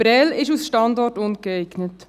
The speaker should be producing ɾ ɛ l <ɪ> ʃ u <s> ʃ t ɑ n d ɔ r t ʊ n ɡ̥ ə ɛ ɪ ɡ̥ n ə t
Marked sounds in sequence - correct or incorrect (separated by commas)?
correct, correct